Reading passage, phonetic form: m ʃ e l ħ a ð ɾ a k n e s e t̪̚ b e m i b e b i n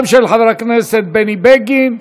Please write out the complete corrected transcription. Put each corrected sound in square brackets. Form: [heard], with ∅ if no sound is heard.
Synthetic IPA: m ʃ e l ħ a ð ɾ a k n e s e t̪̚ b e [n] i b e [ɡ] i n